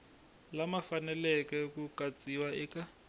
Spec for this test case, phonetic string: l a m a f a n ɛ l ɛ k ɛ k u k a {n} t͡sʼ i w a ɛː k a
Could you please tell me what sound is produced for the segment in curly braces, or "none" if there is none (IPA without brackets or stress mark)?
none